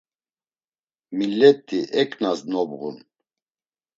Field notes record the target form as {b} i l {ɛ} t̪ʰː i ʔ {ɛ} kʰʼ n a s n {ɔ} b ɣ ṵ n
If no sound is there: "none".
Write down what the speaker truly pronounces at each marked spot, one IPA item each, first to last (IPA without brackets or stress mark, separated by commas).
m, ɛ, ɛ, ɔ